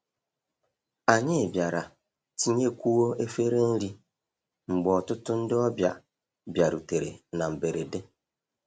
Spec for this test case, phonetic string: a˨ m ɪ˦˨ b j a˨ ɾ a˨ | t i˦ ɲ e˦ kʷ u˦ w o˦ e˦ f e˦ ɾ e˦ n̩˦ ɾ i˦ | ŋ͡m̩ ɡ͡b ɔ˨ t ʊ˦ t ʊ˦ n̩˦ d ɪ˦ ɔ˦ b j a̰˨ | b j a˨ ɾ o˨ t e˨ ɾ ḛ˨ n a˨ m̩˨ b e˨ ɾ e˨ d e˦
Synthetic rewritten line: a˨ ɲ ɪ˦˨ b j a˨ ɾ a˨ | t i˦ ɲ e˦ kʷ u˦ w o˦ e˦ f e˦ ɾ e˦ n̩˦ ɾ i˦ | ŋ͡m̩ ɡ͡b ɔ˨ t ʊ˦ t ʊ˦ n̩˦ d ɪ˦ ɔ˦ b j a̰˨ | b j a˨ ɾ u˨ t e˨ ɾ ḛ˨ n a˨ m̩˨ b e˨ ɾ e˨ d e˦